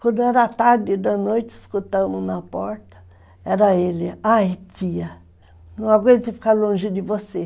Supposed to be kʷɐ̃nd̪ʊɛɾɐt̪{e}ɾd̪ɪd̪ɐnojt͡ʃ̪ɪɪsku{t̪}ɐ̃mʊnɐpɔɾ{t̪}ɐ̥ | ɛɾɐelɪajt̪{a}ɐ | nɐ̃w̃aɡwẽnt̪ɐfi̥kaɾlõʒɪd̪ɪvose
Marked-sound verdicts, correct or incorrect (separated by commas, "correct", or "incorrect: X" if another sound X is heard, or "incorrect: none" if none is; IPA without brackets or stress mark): incorrect: a, correct, correct, incorrect: i